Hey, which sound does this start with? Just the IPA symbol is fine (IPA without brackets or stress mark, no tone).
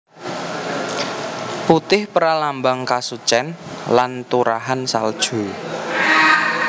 p